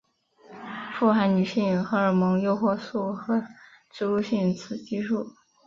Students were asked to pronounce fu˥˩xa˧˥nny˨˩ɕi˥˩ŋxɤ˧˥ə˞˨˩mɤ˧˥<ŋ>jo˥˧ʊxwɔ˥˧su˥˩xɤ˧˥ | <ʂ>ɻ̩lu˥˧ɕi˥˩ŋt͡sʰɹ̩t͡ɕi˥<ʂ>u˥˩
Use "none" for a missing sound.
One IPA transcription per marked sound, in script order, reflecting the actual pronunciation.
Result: ŋ, ʈ͡ʂ, ʂ

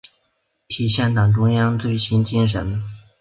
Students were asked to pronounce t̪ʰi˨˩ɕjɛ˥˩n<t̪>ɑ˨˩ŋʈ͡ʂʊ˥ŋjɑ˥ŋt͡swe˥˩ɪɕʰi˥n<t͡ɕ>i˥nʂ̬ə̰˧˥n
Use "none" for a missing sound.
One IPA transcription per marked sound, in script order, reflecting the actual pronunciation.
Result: t̪, t͡ɕ

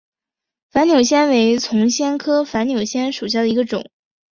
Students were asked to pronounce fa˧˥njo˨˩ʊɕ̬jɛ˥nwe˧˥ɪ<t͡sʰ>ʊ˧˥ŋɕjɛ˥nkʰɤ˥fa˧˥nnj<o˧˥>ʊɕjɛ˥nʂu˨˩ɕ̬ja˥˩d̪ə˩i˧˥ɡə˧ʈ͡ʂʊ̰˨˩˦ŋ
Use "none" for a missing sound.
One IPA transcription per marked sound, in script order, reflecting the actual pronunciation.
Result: t͡sʰ, o˨˩

